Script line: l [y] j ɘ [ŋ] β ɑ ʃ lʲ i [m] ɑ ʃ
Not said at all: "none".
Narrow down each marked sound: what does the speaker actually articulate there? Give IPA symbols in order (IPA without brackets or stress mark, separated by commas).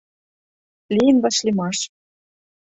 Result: i, n, m